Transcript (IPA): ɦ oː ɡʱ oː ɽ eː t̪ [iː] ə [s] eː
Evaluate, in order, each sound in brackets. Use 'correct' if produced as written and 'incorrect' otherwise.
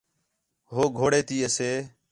correct, correct

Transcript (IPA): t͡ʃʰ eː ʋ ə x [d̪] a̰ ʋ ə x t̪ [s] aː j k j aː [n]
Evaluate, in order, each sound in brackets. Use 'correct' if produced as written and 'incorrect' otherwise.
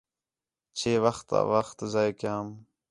incorrect: t̪, incorrect: z, incorrect: m

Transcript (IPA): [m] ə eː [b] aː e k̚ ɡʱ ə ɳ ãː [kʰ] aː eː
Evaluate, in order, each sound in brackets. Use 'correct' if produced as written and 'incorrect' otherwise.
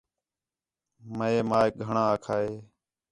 correct, incorrect: m, correct

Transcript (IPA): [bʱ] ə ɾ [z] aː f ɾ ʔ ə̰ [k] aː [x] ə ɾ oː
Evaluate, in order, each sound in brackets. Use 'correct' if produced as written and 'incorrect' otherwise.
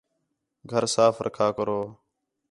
incorrect: ɡʱ, incorrect: s, incorrect: kʰ, incorrect: k

